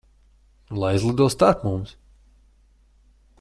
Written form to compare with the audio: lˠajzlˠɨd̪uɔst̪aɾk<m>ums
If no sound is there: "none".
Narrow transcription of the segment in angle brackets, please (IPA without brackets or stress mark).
m